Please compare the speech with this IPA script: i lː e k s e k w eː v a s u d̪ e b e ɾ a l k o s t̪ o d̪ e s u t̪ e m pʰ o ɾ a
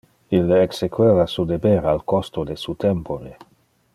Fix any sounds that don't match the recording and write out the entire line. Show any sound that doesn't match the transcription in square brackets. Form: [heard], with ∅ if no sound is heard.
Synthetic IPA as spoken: i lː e k s e k w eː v a s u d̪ e b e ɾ a l k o s t̪ o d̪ e s u t̪ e m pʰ o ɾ [e]